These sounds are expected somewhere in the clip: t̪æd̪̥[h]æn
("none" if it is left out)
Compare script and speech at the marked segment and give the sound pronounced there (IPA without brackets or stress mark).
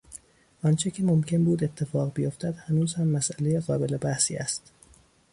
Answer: h